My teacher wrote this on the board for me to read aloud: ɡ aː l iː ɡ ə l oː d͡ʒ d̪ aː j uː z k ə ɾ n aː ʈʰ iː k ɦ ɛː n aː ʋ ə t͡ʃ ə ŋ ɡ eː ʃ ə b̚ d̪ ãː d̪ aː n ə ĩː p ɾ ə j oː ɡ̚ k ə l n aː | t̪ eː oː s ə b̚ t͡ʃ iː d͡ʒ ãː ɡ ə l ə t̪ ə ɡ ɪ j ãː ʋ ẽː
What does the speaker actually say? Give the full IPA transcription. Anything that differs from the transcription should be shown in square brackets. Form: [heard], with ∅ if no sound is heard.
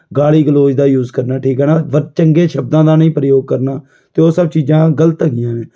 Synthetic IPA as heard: ɡ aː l iː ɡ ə l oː d͡ʒ d̪ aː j uː z k ə ɾ n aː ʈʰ iː k ɦ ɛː n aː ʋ ə t͡ʃ ə ŋ ɡ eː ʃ ə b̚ d̪ ãː d̪ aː n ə ĩː p ɾ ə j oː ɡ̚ k ə [ɾ] n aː | t̪ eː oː s ə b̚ t͡ʃ iː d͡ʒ ãː ɡ ə l ə t̪ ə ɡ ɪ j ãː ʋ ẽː